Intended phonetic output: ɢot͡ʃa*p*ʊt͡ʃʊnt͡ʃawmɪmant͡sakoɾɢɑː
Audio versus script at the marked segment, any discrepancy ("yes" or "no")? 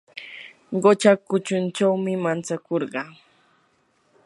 yes